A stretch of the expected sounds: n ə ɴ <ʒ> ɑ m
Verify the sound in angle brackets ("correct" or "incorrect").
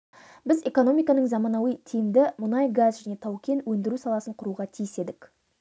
incorrect